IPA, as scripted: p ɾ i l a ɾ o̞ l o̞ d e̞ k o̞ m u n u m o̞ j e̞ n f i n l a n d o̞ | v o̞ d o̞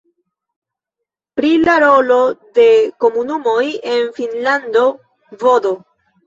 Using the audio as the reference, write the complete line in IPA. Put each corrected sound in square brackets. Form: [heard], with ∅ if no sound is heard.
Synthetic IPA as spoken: p ɾ i l a ɾ o̞ l o̞ d e̞ k o̞ m u n u m o̞ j e̞ n f i n l a n d o̞ | v o̞ d o̞